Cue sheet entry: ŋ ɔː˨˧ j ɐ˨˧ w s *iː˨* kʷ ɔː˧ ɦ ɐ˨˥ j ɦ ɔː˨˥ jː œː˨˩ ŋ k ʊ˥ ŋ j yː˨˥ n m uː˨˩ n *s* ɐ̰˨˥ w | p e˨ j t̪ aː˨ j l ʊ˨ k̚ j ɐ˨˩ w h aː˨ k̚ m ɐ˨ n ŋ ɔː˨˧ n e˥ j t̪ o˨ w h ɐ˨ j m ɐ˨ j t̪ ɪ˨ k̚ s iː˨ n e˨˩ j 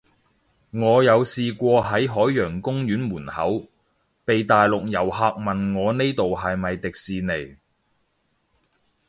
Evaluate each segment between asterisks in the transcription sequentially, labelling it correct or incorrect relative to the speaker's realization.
correct, incorrect: h

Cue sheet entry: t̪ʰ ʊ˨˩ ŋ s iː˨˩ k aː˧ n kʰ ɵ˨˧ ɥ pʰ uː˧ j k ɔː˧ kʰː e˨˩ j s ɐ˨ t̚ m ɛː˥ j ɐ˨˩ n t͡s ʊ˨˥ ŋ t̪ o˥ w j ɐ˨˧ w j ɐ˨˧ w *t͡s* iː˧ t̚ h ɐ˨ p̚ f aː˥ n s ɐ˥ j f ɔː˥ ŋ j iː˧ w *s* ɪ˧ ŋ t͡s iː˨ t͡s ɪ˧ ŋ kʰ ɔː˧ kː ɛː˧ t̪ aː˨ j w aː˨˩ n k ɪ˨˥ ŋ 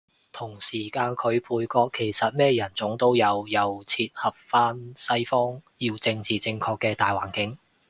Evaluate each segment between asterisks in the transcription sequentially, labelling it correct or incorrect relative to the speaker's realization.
incorrect: t͡sʰ, incorrect: t͡s

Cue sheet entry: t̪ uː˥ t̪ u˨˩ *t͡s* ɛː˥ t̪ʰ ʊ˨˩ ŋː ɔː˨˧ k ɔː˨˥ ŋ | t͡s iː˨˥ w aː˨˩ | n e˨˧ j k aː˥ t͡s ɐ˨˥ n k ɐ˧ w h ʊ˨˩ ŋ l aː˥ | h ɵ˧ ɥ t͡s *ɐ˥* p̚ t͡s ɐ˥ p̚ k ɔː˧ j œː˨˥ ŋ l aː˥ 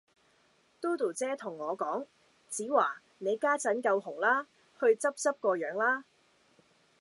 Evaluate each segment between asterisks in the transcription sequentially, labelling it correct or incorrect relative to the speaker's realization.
correct, correct

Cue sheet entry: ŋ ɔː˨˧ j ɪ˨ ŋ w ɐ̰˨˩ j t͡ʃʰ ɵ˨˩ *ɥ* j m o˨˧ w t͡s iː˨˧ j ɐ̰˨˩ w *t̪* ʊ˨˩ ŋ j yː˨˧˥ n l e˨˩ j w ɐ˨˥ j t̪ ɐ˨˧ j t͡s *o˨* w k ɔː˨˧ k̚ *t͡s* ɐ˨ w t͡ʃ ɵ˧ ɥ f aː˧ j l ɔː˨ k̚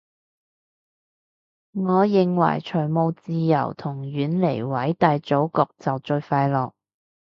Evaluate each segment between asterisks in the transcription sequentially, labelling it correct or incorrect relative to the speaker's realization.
incorrect: none, incorrect: t̪ʰ, incorrect: o˨˥, correct

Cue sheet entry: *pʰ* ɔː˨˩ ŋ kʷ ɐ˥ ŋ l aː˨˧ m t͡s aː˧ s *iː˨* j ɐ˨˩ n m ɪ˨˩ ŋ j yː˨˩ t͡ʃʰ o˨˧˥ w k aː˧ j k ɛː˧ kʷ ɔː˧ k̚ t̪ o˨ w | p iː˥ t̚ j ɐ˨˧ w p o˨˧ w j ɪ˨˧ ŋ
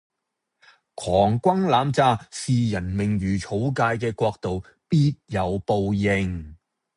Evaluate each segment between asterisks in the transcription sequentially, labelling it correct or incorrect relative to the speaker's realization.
incorrect: kʰ, correct

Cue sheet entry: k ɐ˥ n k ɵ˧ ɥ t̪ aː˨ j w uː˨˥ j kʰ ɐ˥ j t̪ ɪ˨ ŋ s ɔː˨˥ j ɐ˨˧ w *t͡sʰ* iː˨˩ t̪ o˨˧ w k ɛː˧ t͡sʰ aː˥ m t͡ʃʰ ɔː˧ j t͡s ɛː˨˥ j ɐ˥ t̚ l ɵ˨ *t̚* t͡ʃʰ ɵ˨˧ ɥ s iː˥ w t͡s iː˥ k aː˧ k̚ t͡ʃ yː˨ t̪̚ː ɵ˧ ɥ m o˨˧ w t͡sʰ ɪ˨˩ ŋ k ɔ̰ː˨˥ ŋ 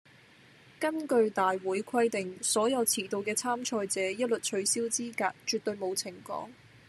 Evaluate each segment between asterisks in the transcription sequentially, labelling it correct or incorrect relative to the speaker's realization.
correct, correct

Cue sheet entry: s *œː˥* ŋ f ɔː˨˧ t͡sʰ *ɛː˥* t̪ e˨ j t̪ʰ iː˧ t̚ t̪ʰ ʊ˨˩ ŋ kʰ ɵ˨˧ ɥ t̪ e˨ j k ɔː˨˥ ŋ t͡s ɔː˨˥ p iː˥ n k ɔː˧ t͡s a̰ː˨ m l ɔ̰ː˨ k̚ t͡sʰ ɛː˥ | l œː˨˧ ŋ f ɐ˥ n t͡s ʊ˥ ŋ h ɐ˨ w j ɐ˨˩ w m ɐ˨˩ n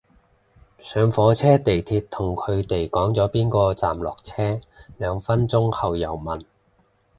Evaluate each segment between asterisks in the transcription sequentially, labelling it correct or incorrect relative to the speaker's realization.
incorrect: œː˨˧, correct

